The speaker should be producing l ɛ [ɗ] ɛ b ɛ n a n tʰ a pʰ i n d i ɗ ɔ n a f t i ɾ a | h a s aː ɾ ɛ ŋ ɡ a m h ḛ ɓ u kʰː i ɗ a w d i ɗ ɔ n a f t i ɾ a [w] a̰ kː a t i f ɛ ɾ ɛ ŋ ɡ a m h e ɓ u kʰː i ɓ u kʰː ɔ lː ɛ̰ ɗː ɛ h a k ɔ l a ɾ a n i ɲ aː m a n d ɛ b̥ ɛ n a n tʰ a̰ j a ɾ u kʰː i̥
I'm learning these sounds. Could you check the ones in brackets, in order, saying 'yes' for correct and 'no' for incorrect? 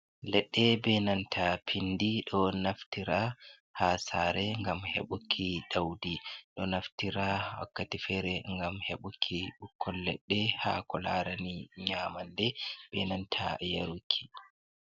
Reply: no, yes

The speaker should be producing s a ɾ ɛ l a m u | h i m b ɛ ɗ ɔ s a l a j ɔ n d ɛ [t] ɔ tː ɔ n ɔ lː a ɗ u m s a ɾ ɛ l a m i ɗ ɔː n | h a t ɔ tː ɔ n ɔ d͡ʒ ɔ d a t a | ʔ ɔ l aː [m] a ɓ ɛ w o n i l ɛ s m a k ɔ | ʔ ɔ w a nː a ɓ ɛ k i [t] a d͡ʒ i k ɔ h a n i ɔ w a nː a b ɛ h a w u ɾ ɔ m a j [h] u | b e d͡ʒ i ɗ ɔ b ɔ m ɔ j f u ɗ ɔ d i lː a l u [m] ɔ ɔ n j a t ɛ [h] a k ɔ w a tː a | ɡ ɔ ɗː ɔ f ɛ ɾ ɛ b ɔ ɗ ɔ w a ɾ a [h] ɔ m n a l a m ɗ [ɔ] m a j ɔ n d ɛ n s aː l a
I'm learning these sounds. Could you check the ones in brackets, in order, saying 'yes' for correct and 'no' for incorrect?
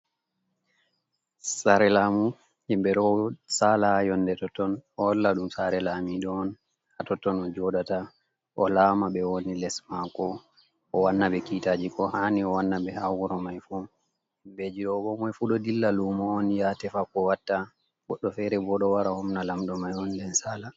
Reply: yes, yes, yes, no, yes, no, yes, yes

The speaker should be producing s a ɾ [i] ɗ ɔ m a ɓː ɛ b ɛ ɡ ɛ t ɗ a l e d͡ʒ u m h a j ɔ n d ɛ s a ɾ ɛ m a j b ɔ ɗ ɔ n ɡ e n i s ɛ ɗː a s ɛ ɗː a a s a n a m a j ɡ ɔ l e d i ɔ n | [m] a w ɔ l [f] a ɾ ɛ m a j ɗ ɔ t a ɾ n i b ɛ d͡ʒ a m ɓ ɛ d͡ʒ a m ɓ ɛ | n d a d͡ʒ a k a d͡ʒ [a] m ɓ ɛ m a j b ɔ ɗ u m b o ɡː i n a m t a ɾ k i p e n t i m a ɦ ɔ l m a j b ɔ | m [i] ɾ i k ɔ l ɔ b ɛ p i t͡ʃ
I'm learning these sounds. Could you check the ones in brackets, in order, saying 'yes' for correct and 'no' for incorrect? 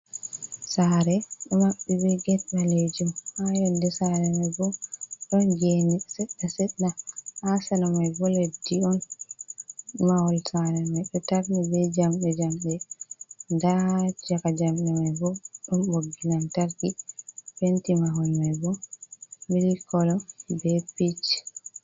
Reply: no, yes, no, yes, yes

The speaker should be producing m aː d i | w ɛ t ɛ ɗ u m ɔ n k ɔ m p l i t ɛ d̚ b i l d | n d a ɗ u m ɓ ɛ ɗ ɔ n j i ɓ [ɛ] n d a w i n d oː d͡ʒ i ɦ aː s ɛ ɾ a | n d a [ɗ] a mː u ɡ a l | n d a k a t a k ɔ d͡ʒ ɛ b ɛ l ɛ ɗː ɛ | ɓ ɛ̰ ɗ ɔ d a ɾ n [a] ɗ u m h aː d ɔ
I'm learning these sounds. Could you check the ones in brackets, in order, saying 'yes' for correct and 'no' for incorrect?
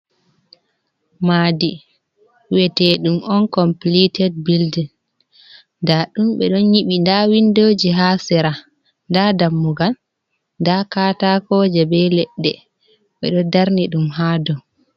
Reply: no, no, no

